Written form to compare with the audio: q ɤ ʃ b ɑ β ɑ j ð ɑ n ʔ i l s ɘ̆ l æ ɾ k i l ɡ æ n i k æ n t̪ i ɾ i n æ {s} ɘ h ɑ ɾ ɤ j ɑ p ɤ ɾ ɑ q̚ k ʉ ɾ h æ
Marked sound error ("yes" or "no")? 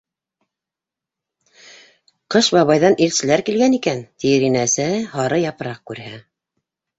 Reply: no